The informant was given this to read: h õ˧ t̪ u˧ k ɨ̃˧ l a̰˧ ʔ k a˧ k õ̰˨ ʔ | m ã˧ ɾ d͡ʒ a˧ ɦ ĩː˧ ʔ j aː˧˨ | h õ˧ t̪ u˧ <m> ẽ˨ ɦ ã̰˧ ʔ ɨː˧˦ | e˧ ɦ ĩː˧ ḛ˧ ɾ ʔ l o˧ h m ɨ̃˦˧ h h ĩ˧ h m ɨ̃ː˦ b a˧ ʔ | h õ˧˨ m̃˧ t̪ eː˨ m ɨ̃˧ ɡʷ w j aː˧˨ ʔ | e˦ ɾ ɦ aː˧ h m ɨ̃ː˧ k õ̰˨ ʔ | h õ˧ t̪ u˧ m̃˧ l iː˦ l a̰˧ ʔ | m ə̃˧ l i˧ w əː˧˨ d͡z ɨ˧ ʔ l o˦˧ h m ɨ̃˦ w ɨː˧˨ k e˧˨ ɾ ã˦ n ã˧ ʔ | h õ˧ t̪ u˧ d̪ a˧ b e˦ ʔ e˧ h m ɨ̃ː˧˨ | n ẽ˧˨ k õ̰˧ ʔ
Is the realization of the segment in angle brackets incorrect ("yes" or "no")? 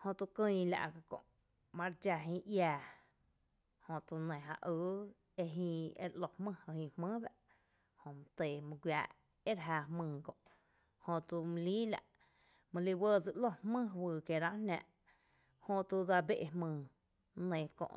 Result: yes